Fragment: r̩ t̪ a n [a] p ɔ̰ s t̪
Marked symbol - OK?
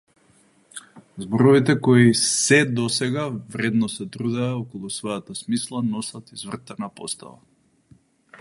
yes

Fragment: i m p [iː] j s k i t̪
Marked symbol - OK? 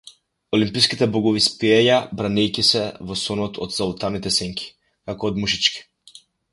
no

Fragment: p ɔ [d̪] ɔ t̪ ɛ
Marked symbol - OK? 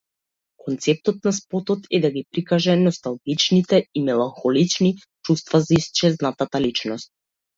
no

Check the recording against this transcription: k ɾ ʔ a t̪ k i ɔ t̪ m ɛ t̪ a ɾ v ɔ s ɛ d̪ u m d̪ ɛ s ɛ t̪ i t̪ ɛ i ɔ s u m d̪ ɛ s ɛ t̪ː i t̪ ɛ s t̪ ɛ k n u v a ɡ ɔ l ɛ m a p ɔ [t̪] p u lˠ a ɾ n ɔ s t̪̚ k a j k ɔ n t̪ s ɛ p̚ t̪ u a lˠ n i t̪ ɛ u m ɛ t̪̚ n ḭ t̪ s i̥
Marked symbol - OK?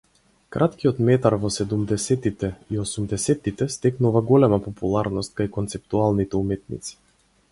no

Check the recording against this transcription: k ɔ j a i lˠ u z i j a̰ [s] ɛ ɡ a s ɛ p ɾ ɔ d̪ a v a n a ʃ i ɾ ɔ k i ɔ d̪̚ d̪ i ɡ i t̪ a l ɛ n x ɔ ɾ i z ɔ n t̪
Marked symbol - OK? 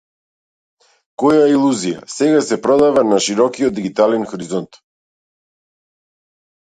yes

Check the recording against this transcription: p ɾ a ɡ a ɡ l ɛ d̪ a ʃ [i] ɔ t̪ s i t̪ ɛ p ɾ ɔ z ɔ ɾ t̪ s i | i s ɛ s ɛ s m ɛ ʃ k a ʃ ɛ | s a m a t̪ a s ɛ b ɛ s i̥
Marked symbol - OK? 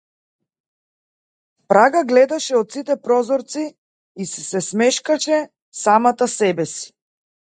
no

